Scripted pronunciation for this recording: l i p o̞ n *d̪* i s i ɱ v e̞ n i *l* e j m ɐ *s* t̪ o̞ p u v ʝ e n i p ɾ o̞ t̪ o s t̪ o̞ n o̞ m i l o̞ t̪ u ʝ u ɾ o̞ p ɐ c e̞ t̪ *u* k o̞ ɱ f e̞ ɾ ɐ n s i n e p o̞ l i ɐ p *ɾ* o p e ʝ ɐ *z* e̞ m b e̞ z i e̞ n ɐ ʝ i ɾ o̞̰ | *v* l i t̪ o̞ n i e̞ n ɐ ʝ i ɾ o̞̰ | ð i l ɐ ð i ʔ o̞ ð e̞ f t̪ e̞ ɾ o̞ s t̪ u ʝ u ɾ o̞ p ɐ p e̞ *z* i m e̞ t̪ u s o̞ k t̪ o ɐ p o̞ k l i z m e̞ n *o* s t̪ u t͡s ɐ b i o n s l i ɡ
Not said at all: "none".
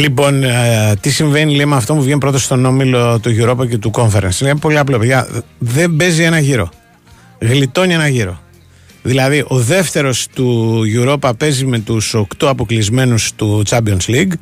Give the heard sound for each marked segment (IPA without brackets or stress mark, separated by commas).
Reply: t̪, l, f, u, l, ð, ɣ, z, u